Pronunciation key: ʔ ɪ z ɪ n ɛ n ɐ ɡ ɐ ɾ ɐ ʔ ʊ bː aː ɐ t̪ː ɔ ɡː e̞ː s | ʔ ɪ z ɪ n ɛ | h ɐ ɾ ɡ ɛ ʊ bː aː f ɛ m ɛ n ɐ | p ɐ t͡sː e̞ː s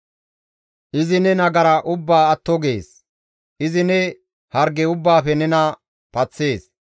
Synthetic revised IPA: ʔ ɪ z ɪ n ɛ n ɐ ɡ ɐ ɾ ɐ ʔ ʊ bː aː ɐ t̪ː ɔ ɡ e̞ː s | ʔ ɪ z ɪ n ɛ | h ɐ ɾ ɡ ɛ ʊ bː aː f ɛ n ɛ n ɐ | p ɐ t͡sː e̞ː s